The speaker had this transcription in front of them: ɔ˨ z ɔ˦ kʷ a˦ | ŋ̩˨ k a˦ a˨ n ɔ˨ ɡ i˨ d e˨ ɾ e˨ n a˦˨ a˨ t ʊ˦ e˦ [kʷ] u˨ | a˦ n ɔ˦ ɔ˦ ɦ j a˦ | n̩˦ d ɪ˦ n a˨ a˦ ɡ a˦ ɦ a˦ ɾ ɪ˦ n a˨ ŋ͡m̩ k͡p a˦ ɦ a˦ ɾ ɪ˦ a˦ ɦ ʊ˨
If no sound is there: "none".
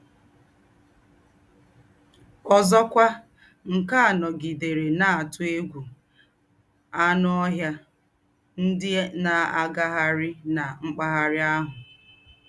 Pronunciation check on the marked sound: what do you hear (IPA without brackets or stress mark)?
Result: ɡʷ